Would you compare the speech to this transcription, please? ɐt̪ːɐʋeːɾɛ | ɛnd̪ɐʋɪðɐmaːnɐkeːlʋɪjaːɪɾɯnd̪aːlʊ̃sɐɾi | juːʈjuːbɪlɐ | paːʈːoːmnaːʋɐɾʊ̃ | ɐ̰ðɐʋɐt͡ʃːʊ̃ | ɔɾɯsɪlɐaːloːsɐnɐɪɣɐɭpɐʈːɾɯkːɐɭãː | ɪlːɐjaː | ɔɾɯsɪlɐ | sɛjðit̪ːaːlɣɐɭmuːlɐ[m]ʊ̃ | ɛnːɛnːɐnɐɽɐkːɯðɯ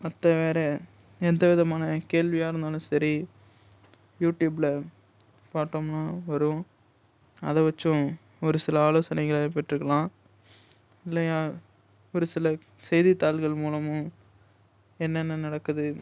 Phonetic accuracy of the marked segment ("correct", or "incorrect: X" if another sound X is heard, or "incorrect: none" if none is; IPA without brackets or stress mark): correct